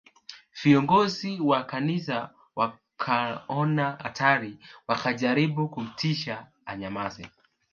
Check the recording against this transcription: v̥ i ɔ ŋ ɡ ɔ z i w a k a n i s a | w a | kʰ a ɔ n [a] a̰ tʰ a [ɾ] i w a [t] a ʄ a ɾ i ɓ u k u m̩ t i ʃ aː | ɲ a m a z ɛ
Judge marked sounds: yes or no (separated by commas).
yes, yes, no